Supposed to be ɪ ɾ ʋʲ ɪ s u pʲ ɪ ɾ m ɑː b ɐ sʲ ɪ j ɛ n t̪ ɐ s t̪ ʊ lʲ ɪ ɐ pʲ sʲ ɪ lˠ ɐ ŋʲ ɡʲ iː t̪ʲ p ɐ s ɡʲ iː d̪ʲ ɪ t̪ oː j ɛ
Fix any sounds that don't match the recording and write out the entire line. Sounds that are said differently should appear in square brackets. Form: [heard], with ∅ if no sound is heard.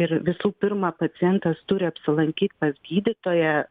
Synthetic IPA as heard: ɪ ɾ ʋʲ ɪ s [uː] pʲ ɪ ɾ m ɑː [p] ɐ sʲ ɪ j ɛ n t̪ ɐ s t̪ ʊ [ɾʲ] ɪ ɐ pʲ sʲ ɪ lˠ ɐ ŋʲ [kʲ] iː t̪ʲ p ɐ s ɡʲ iː d̪ʲ ɪ t̪ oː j ɛ